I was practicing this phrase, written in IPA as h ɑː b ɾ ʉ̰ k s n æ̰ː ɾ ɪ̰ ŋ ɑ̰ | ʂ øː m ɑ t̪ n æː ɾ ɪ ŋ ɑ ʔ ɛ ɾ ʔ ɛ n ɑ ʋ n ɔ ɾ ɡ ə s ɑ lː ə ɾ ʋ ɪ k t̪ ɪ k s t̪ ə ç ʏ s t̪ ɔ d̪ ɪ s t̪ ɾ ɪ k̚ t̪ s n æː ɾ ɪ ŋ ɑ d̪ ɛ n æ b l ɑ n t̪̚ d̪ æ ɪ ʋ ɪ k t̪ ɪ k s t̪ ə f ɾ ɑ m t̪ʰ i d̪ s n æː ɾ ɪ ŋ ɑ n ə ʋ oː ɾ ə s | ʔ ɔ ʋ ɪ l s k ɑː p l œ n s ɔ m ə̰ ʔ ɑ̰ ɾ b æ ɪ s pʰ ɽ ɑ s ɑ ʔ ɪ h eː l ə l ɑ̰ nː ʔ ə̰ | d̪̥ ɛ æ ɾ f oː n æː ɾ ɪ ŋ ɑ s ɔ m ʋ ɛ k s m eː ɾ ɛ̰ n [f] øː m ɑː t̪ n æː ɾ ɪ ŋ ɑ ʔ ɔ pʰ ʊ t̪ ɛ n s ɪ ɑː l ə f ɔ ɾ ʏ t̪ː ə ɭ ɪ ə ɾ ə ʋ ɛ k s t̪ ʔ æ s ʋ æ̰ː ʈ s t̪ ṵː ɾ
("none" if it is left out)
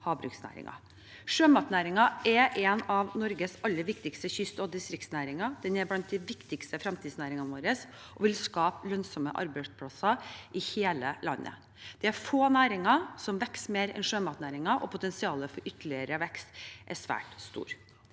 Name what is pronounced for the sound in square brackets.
ʂ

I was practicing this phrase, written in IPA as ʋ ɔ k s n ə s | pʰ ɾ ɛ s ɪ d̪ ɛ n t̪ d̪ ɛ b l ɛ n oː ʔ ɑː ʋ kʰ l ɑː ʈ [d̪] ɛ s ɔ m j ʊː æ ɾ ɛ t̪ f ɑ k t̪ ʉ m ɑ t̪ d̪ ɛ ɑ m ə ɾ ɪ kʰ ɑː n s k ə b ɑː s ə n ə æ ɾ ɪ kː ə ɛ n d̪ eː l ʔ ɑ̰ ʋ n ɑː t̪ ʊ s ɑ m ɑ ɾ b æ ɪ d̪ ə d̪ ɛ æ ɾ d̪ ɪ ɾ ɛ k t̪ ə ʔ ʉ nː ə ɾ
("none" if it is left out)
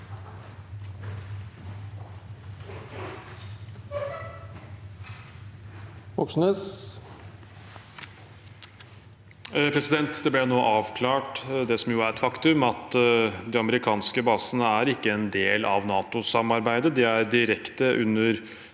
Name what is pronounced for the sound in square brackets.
d̪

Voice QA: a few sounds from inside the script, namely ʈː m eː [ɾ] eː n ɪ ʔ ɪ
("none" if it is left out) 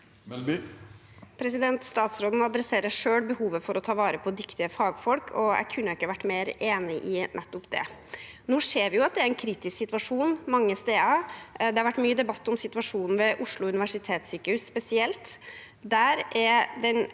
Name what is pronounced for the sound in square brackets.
ɾ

